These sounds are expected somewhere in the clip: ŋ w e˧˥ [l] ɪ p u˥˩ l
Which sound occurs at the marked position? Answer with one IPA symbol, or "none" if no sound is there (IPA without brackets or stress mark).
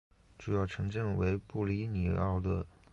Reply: none